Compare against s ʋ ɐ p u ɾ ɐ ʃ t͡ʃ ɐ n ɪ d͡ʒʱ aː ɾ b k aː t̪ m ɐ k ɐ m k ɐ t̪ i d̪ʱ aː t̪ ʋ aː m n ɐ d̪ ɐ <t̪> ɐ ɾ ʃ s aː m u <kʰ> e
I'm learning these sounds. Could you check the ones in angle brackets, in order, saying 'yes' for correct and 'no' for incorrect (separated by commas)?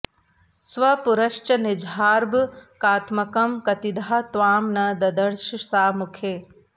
no, yes